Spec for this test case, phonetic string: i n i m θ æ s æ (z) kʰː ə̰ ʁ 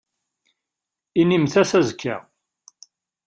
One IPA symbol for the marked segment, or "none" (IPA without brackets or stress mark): z